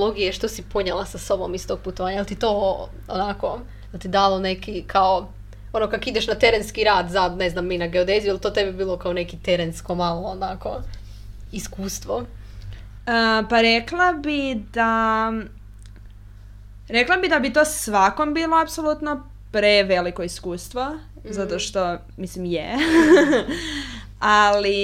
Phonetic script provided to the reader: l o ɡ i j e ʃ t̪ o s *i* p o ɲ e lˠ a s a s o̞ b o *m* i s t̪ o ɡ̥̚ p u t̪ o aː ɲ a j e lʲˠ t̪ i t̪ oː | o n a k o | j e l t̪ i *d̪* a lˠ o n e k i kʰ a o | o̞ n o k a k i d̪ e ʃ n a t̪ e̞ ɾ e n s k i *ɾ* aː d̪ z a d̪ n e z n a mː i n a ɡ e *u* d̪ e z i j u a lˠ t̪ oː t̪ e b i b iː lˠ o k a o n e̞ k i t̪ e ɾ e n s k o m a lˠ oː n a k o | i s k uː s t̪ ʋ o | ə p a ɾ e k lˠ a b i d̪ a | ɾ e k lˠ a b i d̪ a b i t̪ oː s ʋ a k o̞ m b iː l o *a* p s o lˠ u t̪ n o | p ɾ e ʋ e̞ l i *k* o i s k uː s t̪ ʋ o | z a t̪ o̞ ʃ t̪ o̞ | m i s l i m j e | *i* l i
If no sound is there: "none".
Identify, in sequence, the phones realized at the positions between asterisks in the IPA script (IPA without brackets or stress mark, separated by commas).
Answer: i, m, d̪, ɾ, o, a, k, a